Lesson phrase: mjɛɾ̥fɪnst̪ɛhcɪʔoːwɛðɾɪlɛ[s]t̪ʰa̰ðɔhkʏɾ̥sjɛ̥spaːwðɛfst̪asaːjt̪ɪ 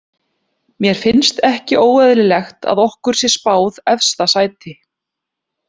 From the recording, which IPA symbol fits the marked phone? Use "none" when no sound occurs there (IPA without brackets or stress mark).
x